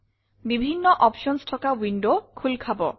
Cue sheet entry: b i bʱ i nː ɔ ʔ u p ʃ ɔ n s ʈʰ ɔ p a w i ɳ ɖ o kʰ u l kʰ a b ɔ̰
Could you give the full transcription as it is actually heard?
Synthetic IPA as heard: b i bʱ i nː ɔ ʔ ɔ p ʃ ɔ n s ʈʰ ɔ k a w i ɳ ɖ o kʰ u l kʰ a b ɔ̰